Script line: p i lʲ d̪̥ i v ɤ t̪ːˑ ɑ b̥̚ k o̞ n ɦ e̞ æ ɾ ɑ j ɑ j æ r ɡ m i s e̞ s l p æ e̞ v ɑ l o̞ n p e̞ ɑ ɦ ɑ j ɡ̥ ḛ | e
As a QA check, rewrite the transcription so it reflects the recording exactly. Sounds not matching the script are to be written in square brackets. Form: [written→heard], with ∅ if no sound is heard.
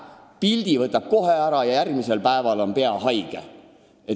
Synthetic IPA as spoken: p i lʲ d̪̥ i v ɤ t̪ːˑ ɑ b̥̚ k o̞ [n→∅] ɦ e̞ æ ɾ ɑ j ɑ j æ r ɡ m i s e̞ [s→∅] l p æ e̞ v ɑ l o̞ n p e̞ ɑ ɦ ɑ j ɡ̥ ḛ | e